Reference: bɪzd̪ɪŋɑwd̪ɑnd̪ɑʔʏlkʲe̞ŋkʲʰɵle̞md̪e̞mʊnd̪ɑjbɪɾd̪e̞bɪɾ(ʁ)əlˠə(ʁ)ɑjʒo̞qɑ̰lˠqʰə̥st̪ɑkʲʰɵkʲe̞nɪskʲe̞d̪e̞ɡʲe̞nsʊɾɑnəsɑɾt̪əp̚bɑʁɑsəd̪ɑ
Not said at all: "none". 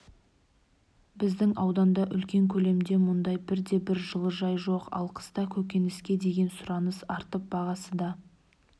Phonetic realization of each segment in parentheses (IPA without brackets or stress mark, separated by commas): ʒ, ʒ